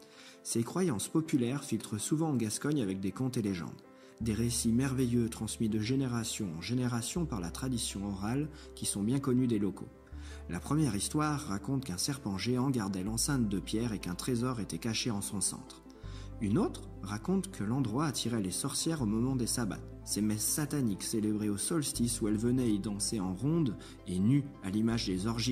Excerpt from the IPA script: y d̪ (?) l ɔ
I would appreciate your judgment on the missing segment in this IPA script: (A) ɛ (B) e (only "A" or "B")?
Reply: B